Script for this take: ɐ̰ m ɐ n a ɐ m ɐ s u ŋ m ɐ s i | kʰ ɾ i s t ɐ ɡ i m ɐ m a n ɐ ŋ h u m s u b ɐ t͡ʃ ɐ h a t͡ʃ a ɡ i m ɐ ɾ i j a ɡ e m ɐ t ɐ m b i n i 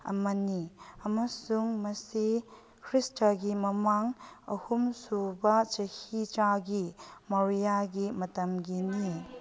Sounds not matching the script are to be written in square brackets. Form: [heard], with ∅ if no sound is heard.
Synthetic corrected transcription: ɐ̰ m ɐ n [i] ɐ m ɐ s u ŋ m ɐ s i | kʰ ɾ i s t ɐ ɡ i m ɐ m a [ŋ] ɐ [∅] h u m s u b ɐ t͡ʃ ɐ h [i] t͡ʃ a ɡ i m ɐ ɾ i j a ɡ [i] m ɐ t ɐ m [ɡ] i n i